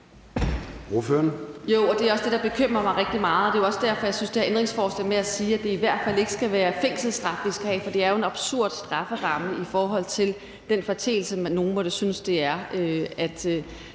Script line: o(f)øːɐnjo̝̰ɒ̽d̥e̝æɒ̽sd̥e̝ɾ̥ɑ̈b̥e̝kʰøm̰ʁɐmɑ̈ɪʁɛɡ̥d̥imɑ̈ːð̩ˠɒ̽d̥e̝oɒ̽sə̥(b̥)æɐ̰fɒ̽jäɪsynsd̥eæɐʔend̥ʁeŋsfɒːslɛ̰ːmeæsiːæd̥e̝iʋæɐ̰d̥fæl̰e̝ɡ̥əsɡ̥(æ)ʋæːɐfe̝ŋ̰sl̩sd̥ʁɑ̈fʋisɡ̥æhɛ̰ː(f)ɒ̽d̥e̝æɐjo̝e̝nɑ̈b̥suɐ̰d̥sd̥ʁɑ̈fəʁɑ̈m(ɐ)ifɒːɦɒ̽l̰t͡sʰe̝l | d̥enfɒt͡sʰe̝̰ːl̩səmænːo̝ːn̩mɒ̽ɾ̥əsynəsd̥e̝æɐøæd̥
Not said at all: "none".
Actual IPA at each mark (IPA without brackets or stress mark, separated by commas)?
f, d̥, æ, f, ə